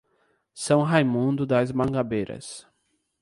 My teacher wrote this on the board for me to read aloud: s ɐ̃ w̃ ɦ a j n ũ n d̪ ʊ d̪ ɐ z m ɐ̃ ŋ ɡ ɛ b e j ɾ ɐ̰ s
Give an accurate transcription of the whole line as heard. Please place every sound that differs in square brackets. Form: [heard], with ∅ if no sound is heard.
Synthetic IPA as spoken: s ɐ̃ w̃ ɦ a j [m] ũ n d̪ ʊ d̪ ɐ z m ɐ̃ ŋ ɡ [a] b e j ɾ ɐ̰ s